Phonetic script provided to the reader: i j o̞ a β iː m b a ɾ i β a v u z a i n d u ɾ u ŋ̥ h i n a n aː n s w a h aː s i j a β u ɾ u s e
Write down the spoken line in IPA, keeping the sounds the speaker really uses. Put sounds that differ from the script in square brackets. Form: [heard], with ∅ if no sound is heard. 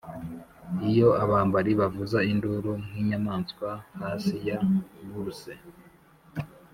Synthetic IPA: i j o̞ a β [aː] m b a ɾ i β a v u z a i n d u ɾ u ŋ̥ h i [ɲ] a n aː n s w a h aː s i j a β u ɾ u s e